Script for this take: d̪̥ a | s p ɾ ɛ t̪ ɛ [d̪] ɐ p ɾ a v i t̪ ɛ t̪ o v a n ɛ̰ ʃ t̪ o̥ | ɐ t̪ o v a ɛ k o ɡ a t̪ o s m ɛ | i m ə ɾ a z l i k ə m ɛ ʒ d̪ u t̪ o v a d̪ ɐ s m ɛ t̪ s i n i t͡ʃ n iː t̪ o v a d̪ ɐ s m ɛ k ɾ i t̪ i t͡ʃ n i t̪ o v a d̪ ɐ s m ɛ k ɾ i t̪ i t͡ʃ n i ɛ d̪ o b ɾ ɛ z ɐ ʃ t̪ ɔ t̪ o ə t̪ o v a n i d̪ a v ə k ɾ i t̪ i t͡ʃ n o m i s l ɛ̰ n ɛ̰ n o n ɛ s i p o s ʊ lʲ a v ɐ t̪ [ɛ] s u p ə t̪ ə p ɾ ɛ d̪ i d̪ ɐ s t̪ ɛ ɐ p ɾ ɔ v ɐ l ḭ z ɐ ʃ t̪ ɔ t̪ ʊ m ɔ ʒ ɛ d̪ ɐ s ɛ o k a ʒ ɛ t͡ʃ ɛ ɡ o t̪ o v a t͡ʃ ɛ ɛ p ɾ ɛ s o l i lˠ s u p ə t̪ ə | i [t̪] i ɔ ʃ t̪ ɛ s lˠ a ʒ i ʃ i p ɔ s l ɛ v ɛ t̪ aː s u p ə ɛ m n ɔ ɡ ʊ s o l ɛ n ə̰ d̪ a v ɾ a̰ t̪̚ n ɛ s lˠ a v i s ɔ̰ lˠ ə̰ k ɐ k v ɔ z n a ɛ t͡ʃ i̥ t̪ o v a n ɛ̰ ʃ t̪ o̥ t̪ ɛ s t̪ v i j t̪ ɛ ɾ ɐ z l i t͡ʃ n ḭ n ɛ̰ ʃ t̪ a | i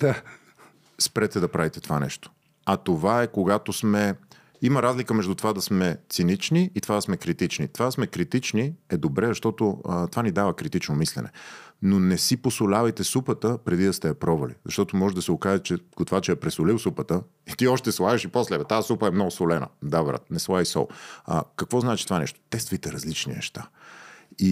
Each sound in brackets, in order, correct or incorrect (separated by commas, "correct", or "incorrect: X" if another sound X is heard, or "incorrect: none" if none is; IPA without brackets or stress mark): correct, correct, correct